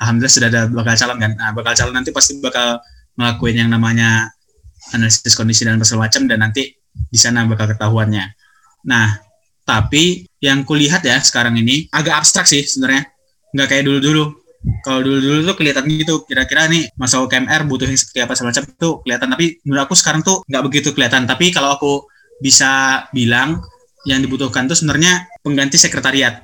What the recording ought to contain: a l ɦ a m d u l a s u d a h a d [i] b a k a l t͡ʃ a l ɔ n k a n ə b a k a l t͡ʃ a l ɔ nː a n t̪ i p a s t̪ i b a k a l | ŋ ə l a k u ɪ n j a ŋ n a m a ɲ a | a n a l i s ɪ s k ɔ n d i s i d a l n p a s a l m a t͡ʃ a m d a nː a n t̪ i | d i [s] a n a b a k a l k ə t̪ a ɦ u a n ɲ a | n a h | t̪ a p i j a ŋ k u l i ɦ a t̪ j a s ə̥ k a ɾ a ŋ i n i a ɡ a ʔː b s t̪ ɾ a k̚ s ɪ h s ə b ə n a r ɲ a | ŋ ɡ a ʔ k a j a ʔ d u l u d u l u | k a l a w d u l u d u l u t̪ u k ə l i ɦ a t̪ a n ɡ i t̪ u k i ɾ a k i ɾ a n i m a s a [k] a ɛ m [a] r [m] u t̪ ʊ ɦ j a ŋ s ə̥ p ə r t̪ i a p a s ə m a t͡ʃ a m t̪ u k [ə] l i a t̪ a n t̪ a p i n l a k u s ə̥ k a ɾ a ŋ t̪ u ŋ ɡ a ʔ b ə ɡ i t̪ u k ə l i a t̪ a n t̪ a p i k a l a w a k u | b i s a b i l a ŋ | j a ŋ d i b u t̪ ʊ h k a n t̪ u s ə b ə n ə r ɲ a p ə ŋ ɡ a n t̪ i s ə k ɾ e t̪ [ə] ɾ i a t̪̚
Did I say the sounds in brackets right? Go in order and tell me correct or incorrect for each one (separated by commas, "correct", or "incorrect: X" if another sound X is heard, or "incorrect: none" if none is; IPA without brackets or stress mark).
incorrect: a, correct, correct, incorrect: ɛ, incorrect: b, correct, incorrect: a